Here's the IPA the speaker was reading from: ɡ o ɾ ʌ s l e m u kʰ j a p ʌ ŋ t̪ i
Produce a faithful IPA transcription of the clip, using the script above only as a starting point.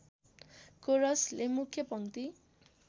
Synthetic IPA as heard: k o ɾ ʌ s l e m u kʰ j ʌ p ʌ ŋ t̪ i